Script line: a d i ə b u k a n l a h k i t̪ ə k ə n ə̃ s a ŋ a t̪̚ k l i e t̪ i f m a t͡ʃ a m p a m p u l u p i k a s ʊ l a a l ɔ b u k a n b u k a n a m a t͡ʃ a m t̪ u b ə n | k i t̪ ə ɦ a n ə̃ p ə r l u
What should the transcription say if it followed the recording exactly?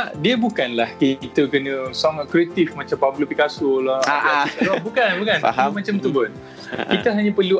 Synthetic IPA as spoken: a d i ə b u k a n l a h k i t̪ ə k ə n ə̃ s a ŋ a t̪̚ k ɾ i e t̪ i f m a t͡ʃ a m p a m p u l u p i k a s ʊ l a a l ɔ b u k a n b u k a n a m a t͡ʃ a m t̪ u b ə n | k i t̪ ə ɦ a ɲ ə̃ p ə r l u